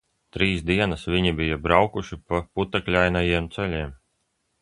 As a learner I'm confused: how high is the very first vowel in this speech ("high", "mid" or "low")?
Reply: high